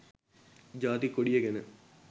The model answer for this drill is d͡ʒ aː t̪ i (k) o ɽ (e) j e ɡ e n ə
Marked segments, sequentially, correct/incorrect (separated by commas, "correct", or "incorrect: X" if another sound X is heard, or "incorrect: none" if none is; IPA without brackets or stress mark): correct, incorrect: i